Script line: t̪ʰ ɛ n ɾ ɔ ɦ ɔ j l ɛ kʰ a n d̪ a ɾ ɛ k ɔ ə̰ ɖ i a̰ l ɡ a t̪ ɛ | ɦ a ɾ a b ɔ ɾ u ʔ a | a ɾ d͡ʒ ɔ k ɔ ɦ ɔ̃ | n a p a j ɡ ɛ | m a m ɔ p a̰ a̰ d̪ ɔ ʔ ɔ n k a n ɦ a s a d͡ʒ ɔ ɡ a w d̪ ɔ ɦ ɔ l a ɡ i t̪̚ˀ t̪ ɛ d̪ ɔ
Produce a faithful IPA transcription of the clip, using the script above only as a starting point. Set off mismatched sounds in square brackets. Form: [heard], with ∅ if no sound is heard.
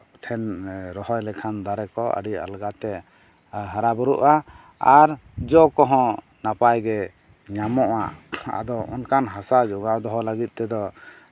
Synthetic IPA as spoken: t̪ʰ ɛ n ɾ ɔ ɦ ɔ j l ɛ kʰ a n d̪ a ɾ ɛ k ɔ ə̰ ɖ i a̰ l ɡ a t̪ ɛ | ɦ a ɾ a b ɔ ɾ u ʔ a | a ɾ d͡ʒ ɔ k ɔ ɦ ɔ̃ | n a p a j ɡ ɛ | [ɲ] a m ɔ [ʔ] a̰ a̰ d̪ ɔ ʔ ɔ n k a n ɦ a s a d͡ʒ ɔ ɡ a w d̪ ɔ ɦ ɔ l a ɡ i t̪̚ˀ t̪ ɛ d̪ ɔ